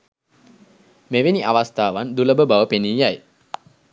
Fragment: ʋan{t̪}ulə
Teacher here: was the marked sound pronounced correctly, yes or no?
no